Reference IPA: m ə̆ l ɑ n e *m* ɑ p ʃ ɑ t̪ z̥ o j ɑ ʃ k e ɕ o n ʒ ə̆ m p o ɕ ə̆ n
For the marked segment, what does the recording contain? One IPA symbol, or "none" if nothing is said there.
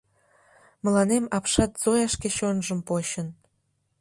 m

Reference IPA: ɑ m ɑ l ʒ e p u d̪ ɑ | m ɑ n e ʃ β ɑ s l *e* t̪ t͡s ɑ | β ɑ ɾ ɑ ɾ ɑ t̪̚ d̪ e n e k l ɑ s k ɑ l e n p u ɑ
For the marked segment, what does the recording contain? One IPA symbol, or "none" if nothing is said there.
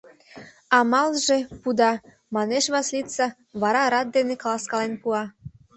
i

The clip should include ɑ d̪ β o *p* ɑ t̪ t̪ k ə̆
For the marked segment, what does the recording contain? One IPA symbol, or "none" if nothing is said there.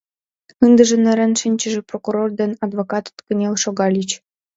k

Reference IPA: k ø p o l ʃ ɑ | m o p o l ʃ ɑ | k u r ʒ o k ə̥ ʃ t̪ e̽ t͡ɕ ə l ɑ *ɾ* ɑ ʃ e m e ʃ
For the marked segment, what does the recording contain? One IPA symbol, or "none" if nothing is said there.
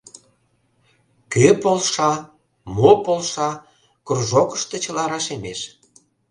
ɾ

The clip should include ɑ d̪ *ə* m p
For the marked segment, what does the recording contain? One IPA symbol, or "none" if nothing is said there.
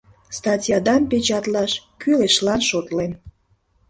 ɑ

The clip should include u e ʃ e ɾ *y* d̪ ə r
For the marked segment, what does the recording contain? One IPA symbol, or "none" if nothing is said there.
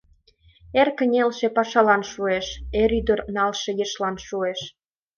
y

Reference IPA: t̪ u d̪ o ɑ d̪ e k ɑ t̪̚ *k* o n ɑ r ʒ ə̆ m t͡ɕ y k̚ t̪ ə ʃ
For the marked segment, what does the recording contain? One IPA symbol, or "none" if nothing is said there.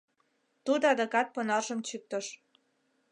p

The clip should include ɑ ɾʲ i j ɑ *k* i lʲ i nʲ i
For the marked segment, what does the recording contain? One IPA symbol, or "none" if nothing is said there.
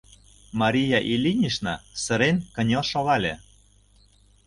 ʔ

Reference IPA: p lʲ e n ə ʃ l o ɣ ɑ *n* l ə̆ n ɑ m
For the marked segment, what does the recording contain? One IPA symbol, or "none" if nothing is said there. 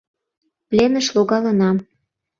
none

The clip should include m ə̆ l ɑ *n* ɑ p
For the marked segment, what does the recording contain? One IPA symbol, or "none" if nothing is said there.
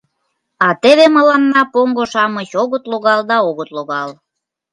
nː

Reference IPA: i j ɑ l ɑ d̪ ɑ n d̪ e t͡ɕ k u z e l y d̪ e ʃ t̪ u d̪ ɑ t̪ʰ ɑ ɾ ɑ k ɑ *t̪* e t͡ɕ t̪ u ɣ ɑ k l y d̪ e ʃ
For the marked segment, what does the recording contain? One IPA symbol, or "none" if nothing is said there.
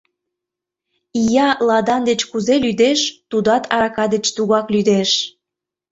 d̪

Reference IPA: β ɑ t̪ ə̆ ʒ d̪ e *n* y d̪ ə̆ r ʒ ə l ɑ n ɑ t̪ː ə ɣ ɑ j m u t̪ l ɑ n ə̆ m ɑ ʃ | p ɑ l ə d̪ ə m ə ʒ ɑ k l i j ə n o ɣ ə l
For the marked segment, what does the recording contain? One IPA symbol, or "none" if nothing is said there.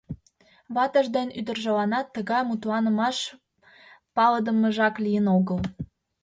n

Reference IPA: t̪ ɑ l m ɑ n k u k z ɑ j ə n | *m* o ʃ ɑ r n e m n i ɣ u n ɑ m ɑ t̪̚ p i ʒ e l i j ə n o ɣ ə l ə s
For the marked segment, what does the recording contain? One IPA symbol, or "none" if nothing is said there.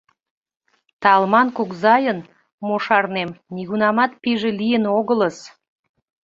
m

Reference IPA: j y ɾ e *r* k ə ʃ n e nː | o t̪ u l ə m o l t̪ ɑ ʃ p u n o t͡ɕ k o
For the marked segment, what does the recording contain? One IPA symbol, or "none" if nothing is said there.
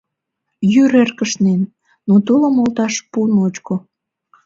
r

